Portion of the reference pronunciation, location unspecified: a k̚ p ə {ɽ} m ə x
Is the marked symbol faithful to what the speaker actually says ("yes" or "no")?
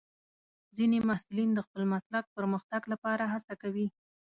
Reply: no